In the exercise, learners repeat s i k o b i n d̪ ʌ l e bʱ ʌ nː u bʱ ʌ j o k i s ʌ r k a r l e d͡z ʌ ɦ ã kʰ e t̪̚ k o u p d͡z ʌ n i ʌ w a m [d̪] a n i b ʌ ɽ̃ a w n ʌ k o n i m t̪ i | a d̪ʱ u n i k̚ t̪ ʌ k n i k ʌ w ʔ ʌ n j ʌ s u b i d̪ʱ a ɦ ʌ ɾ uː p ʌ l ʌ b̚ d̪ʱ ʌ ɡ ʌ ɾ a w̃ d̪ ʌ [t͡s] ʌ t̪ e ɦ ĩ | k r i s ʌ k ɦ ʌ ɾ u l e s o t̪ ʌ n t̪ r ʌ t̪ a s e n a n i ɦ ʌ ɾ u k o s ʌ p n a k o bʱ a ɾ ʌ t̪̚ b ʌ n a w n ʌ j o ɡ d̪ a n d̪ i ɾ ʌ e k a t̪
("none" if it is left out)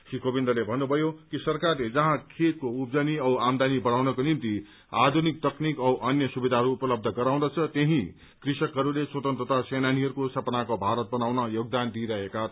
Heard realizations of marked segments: d̪, t͡sʰ

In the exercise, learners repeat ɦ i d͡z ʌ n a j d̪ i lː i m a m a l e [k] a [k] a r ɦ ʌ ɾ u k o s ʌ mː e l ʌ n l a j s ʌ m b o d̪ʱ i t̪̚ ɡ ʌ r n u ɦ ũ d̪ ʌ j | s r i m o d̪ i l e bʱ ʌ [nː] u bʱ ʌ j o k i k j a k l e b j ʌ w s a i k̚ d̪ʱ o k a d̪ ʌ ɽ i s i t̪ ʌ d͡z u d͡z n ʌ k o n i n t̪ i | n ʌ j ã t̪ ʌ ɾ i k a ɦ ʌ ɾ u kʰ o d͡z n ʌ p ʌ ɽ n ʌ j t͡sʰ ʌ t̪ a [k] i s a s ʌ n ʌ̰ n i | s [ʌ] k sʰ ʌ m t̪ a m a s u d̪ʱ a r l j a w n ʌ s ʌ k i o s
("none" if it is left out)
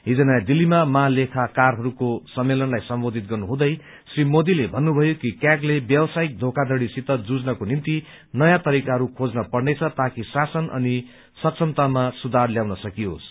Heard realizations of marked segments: kʰ, k, nː, k, ʌ

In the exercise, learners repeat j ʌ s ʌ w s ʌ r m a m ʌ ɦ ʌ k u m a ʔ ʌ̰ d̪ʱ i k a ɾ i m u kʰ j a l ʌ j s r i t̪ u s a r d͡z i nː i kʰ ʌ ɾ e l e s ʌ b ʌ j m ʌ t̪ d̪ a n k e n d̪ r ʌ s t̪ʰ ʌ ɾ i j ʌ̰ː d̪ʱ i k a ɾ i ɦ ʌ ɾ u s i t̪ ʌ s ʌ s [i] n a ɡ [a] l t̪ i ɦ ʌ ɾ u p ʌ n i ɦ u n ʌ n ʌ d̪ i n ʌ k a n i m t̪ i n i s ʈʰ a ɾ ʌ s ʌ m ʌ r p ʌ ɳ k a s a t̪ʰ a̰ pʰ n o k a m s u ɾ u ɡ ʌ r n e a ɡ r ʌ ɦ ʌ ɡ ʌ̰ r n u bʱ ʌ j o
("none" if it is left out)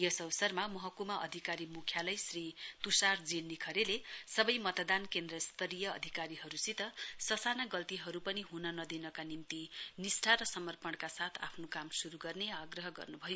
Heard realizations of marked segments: a, ʌ

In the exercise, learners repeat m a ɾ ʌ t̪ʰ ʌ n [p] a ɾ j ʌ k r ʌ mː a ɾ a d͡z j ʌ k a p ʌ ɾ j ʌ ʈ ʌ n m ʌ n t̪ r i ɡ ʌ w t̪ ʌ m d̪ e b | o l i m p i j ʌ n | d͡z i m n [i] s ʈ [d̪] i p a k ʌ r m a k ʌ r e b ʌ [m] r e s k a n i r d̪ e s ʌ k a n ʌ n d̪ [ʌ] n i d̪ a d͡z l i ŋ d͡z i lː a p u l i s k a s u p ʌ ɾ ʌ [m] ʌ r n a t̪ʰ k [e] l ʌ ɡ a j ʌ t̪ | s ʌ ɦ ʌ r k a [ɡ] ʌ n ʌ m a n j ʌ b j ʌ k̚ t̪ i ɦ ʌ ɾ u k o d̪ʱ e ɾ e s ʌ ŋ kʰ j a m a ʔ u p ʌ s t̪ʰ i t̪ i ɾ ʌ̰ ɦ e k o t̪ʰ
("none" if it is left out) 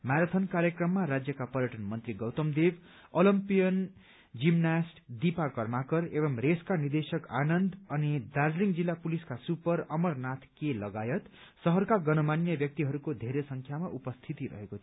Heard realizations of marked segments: k, a, d̪, m, ʌ, m, e, ɡ

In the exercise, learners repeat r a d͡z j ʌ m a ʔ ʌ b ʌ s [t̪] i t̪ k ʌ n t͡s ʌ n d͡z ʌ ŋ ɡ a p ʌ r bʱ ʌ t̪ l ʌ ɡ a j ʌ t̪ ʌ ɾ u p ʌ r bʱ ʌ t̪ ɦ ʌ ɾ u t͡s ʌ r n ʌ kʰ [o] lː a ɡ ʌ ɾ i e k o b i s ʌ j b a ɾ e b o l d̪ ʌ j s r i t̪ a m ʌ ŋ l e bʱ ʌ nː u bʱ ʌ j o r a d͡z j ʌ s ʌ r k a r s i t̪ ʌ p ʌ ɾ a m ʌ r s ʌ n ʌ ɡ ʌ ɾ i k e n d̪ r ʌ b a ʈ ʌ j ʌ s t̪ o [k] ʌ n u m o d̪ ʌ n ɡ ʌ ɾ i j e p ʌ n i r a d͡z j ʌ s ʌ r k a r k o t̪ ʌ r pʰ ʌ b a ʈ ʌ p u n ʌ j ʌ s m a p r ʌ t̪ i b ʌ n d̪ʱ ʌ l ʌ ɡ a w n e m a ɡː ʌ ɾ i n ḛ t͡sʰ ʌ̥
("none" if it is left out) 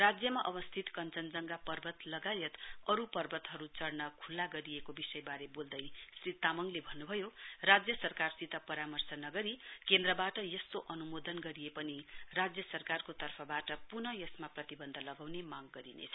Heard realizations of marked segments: t̪ʰ, u, ʔ

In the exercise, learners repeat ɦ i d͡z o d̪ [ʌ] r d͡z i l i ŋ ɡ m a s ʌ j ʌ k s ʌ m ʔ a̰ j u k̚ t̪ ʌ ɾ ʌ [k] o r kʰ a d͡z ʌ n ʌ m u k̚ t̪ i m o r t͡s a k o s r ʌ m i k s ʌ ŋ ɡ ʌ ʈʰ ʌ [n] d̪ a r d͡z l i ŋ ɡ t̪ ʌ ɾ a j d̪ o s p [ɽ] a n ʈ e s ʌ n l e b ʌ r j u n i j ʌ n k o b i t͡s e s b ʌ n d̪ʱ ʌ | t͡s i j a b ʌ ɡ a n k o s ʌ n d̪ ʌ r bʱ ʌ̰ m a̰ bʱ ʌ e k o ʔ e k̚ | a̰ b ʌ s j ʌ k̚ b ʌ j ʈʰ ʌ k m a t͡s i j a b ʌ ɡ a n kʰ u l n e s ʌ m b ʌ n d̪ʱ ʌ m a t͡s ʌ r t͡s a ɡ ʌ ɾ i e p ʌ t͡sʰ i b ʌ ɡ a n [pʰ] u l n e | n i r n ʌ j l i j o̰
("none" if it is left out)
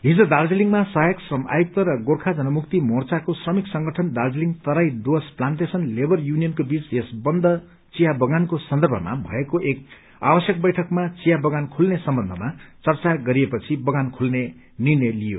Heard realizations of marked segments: a, ɡ, n, l, kʰ

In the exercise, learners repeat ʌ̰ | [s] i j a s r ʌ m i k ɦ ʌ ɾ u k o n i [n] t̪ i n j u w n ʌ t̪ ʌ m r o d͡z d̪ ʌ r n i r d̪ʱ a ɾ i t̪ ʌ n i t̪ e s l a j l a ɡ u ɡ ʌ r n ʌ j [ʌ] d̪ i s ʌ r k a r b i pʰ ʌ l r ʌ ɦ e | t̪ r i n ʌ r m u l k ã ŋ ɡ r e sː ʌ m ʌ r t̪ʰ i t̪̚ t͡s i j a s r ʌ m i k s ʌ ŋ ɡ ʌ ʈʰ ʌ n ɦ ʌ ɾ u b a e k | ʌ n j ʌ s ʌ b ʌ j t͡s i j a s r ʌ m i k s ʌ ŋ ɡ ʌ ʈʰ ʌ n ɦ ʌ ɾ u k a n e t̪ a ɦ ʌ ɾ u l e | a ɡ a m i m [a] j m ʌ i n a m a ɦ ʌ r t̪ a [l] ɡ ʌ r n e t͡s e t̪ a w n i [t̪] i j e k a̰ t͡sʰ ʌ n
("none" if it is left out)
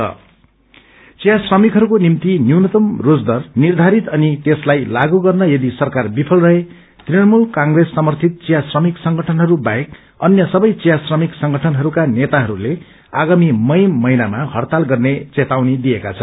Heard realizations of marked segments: t͡s, m, ʌ, ʌ, l, d̪

